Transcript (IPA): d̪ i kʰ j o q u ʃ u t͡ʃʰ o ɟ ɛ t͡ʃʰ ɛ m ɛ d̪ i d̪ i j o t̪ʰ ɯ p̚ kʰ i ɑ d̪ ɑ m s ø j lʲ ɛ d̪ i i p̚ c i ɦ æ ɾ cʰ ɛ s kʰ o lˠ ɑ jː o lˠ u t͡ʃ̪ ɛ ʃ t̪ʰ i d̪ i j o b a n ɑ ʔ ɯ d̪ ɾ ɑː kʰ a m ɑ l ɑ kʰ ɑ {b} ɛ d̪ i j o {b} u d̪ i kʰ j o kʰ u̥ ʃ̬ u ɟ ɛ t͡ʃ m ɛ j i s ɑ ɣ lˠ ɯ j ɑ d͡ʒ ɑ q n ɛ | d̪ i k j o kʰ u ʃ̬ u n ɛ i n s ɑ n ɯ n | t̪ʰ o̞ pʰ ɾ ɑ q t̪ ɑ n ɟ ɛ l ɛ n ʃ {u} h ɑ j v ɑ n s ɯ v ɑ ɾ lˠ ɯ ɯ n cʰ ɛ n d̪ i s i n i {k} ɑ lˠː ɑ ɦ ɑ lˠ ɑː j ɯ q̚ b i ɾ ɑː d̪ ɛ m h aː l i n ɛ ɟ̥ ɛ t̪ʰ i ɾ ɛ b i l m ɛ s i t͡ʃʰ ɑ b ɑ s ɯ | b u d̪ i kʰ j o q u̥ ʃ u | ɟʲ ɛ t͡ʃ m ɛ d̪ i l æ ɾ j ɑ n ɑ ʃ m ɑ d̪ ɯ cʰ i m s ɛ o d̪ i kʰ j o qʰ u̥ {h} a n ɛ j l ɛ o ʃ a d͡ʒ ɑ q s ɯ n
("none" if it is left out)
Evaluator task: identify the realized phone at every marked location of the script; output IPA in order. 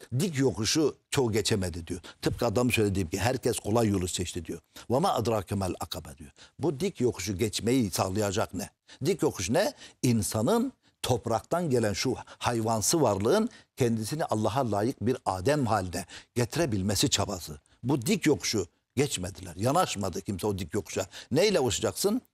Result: b, b, u, ʔ, ʃ

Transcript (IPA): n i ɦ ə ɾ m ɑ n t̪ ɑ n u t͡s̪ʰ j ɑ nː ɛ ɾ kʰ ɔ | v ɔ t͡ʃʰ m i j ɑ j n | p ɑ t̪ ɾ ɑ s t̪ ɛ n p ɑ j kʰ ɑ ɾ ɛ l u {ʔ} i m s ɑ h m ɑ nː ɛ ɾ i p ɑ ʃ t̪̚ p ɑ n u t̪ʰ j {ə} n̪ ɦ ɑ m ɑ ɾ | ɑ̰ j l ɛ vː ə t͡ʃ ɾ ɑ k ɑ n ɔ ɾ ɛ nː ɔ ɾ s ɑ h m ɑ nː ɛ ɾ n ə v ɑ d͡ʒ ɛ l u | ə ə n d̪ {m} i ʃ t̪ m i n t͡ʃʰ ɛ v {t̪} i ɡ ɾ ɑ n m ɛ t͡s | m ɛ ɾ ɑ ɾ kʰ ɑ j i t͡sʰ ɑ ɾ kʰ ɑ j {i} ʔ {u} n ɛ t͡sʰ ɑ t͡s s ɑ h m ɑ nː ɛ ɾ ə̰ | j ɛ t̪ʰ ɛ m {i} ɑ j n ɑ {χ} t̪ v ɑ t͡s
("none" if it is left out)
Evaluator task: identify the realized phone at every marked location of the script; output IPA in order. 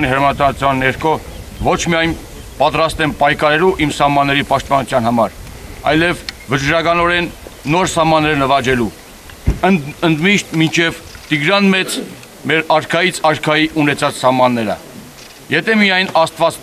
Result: ʔ, ɑ, m, t̪, i, u, i, s

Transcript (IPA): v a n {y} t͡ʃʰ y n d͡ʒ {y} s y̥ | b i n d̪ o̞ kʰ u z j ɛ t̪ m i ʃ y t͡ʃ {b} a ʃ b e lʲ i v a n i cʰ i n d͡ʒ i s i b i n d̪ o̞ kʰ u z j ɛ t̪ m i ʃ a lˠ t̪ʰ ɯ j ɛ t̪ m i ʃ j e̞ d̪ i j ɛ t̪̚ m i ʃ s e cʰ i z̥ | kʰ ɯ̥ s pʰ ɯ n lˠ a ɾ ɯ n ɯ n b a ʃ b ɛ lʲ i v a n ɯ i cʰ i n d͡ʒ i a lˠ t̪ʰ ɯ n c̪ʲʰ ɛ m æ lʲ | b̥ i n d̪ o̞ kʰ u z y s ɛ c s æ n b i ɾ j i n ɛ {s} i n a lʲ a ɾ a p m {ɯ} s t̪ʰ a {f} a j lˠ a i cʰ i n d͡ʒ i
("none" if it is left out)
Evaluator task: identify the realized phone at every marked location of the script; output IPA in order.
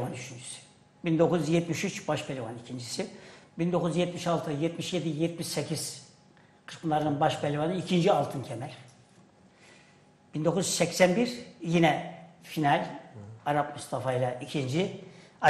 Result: y, y, b, f, u, f

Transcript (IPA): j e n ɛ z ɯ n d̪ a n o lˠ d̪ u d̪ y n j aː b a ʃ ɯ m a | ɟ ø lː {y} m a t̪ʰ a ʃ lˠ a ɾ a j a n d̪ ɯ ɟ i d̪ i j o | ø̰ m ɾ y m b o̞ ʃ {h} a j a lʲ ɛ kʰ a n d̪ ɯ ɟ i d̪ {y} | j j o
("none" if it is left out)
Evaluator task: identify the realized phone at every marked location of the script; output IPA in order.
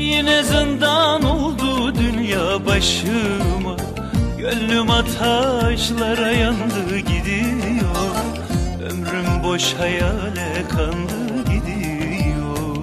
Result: y, h, i

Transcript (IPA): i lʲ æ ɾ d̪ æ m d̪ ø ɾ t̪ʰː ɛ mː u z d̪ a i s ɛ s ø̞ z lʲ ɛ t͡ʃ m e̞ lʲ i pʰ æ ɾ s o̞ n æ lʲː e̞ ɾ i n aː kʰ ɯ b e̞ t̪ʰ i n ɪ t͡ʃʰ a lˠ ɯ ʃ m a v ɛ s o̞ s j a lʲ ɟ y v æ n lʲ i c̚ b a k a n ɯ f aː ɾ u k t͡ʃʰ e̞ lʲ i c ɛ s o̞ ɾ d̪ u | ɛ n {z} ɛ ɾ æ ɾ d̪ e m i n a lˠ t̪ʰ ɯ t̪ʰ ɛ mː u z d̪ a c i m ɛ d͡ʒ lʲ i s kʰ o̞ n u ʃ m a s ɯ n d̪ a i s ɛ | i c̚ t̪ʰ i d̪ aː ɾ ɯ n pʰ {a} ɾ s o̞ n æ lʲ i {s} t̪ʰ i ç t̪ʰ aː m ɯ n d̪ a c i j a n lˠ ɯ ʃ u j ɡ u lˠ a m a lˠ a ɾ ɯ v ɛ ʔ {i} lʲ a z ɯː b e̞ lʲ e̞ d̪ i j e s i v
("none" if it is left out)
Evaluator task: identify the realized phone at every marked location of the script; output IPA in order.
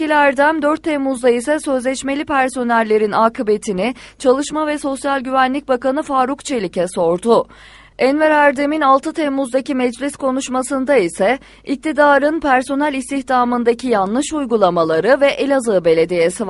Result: v, æ, s, e

